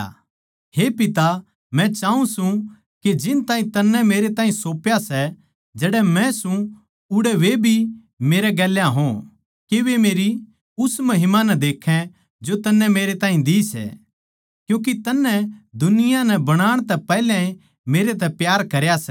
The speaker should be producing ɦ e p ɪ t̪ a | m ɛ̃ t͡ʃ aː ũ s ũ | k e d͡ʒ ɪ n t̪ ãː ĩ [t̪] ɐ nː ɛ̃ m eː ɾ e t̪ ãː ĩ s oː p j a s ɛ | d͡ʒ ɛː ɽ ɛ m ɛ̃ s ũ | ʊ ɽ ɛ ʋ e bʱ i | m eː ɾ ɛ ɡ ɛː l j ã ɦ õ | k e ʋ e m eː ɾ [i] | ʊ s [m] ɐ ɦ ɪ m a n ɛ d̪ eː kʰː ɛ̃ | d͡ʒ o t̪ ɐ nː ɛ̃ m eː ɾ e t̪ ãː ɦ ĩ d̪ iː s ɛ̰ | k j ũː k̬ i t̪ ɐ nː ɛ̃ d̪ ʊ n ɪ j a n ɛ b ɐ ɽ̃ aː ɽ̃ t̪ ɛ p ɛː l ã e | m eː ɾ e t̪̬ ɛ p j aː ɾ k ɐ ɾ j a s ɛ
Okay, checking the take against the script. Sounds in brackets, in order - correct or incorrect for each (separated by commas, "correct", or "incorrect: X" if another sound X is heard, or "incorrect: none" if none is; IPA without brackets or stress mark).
correct, correct, correct